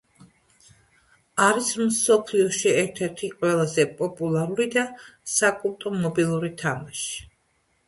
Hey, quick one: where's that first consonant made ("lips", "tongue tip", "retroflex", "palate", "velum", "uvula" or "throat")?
tongue tip